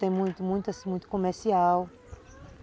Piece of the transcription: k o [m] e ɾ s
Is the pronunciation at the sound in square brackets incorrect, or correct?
correct